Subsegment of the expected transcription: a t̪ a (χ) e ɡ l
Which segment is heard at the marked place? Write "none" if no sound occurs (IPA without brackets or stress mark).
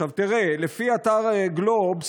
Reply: ʁ